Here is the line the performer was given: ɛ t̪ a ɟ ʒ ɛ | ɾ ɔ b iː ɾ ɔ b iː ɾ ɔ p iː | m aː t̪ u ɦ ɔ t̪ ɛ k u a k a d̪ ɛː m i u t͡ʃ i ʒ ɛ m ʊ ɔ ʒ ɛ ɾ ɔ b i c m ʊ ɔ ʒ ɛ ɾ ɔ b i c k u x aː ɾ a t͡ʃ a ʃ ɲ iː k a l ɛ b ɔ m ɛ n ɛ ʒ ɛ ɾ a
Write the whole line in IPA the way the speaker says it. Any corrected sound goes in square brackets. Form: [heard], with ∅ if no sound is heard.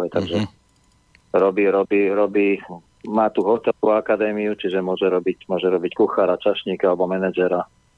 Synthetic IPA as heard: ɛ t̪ a [ɡ] ʒ ɛ | ɾ ɔ b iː ɾ ɔ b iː ɾ ɔ [b] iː | m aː t̪ u ɦ ɔ t̪ ɛ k u a k a d̪ ɛː m i u t͡ʃ i ʒ ɛ m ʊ ɔ ʒ ɛ ɾ ɔ b i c m ʊ ɔ ʒ ɛ ɾ ɔ b i c k u x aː ɾ a t͡ʃ a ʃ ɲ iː k a l ɛ b ɔ m ɛ n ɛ [d͡ʒ] ɛ ɾ a